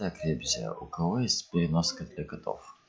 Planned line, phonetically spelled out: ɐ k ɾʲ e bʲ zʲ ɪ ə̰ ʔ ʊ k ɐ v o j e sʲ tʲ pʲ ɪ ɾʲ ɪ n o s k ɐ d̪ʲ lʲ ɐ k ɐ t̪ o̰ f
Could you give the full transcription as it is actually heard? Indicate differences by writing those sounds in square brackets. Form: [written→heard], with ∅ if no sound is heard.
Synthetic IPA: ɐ k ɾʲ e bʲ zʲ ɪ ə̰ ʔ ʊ k ɐ v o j e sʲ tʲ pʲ ɪ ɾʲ ɪ n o s k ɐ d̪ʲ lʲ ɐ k ɐ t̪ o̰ f